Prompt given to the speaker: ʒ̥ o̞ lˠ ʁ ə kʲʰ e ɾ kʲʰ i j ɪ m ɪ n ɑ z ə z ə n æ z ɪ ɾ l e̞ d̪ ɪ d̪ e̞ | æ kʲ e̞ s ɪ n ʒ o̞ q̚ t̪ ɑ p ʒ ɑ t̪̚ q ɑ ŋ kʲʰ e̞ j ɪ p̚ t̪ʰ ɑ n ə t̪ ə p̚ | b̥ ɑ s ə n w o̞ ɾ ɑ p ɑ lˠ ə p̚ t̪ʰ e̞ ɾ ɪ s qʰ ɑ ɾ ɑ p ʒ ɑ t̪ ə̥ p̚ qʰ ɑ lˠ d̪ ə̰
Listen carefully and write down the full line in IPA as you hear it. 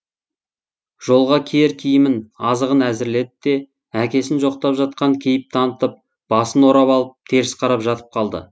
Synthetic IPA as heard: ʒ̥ o̞ lˠ ʁ ɑ kʲʰ e ɾ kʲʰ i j ɪ m ɪ n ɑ z ə ʁ ə n æ z ɪ ɾ l e̞ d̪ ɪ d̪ e̞ | æ kʲ e̞ s ɪ n ʒ o̞ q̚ t̪ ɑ p ʒ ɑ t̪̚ q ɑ ŋ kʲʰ e̞ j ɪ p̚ t̪ʰ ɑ n ə t̪ ə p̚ | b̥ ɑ s ə n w o̞ ɾ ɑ p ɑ lˠ ə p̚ t̪ʰ e̞ ɾ ɪ s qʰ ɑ ɾ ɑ p ʒ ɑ t̪ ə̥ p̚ qʰ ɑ lˠ d̪ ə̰